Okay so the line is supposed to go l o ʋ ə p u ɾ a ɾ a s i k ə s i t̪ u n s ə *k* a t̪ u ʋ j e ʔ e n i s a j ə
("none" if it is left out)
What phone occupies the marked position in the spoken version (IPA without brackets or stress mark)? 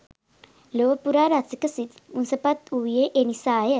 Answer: p